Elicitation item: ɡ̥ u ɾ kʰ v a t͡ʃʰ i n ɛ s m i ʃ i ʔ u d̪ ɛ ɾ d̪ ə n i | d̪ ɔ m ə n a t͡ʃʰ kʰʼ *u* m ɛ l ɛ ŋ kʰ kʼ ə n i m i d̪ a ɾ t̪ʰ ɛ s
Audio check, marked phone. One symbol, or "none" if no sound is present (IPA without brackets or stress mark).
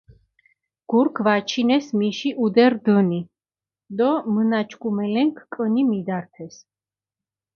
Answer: u